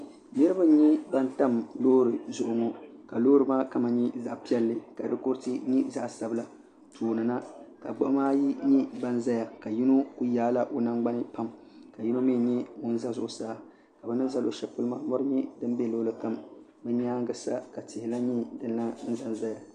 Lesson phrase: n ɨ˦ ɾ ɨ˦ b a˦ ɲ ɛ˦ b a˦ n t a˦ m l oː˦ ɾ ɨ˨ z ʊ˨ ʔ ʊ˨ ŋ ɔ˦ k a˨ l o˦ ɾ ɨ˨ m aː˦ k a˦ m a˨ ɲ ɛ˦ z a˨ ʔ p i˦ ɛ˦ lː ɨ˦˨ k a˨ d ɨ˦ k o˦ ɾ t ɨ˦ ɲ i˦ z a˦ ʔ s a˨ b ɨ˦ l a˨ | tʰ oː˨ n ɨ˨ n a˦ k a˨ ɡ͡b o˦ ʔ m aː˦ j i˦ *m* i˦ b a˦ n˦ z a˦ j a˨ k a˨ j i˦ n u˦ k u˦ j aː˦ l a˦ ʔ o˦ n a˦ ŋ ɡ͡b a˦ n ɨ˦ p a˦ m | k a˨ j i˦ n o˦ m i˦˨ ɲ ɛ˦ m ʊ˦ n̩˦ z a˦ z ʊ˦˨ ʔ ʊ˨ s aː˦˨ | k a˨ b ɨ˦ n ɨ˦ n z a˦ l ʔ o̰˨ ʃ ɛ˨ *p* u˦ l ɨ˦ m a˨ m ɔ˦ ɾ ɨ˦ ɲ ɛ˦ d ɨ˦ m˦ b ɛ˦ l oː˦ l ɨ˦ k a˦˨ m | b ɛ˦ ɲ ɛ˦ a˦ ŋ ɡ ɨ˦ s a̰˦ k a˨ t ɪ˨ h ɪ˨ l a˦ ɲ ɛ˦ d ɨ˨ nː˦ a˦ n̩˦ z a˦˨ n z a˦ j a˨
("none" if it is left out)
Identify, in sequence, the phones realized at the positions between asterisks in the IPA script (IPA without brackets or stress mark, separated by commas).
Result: ɲ, p